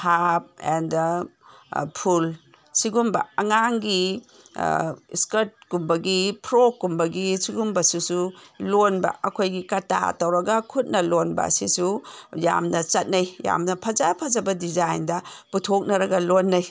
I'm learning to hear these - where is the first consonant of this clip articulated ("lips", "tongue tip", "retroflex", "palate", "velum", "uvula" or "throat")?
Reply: throat